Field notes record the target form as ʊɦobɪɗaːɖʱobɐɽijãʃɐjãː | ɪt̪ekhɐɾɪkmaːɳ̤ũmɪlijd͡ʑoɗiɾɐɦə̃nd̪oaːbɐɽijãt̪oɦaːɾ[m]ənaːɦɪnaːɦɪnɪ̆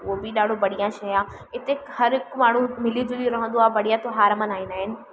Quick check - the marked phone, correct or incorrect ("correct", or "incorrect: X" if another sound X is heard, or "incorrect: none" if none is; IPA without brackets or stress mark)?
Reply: correct